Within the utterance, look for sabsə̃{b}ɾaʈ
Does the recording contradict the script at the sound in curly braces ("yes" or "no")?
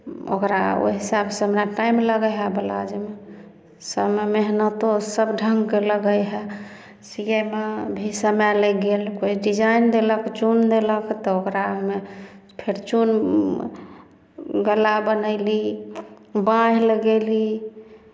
yes